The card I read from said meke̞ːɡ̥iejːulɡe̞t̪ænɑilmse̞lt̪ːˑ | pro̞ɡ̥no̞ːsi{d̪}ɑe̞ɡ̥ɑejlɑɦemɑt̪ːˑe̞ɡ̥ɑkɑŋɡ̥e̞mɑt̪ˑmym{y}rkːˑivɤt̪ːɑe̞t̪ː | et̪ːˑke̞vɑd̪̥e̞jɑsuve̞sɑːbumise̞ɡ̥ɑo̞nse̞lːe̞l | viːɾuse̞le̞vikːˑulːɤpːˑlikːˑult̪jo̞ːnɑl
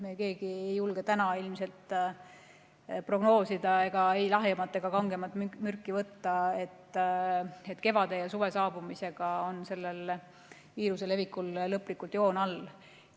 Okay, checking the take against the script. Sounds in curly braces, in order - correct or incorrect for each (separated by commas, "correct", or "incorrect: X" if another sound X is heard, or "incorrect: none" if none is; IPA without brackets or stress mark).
correct, correct